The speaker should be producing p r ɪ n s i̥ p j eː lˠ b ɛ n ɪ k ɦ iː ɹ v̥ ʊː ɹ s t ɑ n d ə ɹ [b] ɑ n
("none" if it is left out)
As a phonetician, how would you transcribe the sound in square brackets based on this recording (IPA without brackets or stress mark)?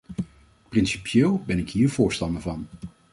v